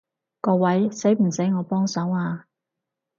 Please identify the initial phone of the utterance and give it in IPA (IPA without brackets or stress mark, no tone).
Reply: k